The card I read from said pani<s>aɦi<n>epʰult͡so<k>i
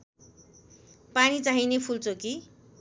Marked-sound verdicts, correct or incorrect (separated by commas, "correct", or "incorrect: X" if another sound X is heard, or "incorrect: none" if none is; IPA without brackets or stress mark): incorrect: t͡s, correct, correct